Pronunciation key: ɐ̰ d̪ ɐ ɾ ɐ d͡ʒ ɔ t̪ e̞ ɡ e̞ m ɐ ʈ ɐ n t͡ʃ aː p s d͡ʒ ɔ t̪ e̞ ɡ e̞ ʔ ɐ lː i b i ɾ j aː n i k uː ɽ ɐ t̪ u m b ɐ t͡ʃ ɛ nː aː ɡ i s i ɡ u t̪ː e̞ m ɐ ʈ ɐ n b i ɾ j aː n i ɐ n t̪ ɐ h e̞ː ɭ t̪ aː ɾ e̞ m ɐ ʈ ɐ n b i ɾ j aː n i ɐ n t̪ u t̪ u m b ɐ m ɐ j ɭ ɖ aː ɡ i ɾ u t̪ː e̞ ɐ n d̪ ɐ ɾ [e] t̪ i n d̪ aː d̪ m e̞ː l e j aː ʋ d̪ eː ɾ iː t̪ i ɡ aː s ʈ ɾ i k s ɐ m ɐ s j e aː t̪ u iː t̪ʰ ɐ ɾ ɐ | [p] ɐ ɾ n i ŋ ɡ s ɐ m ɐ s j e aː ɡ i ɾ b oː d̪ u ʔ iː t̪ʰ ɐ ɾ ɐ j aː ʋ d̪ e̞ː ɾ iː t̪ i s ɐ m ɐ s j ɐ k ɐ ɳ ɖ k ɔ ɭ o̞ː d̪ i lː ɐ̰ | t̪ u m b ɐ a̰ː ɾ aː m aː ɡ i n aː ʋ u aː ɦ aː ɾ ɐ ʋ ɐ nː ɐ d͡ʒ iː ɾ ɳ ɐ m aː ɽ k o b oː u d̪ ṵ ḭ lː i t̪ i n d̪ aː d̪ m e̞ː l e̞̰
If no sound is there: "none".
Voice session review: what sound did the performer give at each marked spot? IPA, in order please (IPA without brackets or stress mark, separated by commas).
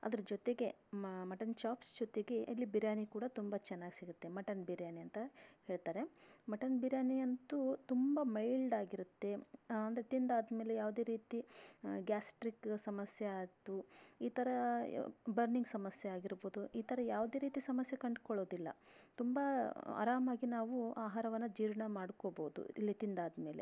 e, b